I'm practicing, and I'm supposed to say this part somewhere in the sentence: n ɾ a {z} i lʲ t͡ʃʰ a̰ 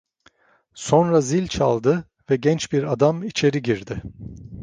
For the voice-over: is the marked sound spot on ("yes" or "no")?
yes